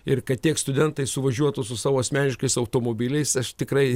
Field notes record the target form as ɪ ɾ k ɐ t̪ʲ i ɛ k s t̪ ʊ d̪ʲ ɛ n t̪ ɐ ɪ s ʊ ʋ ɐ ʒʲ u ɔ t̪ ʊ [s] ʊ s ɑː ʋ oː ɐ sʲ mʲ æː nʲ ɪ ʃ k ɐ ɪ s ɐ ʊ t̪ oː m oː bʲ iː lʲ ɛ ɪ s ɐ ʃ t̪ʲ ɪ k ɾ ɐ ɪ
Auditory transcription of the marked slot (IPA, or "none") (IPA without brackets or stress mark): s